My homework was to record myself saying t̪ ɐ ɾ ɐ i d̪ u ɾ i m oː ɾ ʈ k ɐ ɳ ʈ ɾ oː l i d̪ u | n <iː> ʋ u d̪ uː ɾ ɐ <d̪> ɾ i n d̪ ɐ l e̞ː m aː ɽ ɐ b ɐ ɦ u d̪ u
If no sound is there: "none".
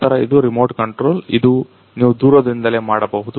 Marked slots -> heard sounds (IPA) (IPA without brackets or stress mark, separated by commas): iː, d̪